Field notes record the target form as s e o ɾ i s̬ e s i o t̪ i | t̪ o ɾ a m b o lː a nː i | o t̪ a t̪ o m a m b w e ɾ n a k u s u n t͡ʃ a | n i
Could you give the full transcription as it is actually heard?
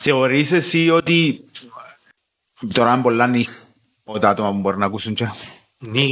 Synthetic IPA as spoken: s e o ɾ i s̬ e s i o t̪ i | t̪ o ɾ a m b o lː a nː i | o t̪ a t̪ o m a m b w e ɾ n a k u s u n t͡ʃ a | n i